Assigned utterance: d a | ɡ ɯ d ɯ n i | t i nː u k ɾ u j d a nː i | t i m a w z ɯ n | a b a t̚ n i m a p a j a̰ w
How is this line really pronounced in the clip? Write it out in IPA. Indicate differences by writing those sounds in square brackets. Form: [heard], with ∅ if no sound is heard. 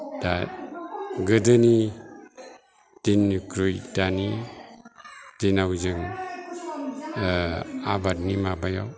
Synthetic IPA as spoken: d a | ɡ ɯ d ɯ n i | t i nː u k ɾ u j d a [n] i | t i [n] a w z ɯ [ŋ] | a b a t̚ n i m a [b] a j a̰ w